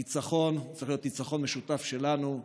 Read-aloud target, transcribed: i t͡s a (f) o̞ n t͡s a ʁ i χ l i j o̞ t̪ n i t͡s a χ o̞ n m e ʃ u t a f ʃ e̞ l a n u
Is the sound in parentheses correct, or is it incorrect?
incorrect